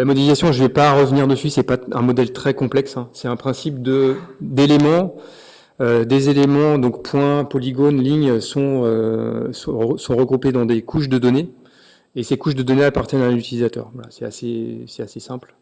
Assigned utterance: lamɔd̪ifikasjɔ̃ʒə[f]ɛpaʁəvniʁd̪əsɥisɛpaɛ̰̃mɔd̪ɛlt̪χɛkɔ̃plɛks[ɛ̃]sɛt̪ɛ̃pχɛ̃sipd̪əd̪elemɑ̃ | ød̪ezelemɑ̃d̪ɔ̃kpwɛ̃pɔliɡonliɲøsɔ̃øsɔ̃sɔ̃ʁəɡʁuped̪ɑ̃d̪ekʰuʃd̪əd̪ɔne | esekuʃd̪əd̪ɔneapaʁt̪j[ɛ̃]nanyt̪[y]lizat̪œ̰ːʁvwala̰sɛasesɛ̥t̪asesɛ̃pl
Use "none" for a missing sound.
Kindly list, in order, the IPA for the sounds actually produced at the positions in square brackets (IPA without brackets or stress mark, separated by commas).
v, ɛ̃, ɛ, i